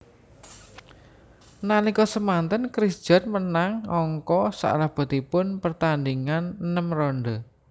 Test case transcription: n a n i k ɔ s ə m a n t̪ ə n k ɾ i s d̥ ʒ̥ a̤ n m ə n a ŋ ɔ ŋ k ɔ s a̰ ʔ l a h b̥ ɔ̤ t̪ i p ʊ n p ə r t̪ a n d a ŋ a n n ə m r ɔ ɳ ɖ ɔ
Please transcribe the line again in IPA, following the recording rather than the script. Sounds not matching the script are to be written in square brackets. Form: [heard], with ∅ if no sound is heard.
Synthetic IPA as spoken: n a n i k ɔ s ə m a n t̪ ə n k ɾ i s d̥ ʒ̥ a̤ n m ə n a ŋ ɔ ŋ k ɔ s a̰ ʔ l a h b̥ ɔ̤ t̪ i p ʊ n p ə r t̪ a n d [i] ŋ a n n ə m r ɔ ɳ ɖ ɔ